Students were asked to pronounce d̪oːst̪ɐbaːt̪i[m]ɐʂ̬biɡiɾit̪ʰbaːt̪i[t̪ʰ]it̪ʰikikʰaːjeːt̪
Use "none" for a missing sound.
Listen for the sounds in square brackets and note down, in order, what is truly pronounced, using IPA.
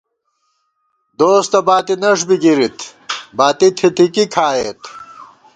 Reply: n, t̪ʰ

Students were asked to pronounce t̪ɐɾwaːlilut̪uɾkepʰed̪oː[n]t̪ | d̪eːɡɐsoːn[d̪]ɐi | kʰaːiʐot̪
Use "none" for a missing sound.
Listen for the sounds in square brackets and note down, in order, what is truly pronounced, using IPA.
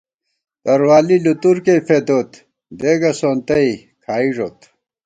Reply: none, t̪

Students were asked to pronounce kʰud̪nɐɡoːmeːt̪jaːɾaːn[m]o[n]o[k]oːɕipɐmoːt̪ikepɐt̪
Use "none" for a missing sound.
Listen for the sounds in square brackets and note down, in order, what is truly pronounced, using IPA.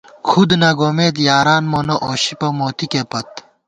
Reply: m, n, ʔ

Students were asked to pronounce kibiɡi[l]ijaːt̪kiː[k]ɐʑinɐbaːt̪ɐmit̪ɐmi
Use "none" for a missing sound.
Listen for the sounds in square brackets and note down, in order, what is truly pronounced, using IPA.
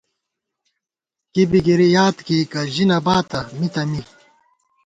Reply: ɾ, k

